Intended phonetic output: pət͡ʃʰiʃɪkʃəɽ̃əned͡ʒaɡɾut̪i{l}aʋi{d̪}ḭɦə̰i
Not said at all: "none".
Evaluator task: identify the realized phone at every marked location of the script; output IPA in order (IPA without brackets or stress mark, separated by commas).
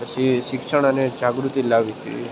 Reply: l, t̪